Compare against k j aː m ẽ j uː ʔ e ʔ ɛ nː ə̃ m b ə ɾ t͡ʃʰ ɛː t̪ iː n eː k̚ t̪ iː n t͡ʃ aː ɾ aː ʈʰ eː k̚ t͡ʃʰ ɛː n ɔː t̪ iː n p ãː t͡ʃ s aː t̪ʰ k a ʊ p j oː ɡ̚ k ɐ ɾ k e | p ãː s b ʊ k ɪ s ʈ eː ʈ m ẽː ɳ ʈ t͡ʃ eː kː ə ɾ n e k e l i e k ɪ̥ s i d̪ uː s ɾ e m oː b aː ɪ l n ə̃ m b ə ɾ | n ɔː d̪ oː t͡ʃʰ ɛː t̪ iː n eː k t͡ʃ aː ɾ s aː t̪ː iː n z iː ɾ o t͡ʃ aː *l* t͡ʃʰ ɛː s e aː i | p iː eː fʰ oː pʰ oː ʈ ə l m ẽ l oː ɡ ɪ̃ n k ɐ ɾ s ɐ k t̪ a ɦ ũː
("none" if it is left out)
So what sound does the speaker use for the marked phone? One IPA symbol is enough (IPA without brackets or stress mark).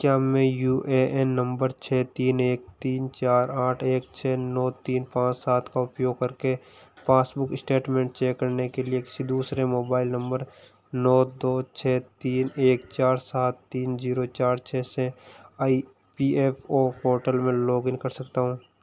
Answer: ɾ